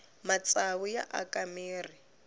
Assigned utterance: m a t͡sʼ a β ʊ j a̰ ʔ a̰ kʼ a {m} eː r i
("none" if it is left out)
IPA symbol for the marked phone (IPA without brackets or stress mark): m